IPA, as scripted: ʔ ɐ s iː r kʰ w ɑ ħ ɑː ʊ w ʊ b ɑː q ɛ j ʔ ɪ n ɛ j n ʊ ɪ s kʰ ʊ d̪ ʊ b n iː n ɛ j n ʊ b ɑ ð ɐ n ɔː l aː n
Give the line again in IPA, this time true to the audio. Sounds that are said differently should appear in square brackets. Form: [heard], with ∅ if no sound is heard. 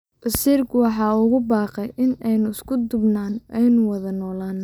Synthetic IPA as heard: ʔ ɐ s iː r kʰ w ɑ ħ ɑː ʊ [ɣ] ʊ b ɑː q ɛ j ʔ ɪ n ɛ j n ʊ ɪ s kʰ ʊ d̪ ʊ b n [aː] n ɛ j n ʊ [w] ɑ ð ɐ n ɔː l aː n